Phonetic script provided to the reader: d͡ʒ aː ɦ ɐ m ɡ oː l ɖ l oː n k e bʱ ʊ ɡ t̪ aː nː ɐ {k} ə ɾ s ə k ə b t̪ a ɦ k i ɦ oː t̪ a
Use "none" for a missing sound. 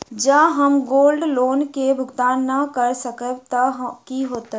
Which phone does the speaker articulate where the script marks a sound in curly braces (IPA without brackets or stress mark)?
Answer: k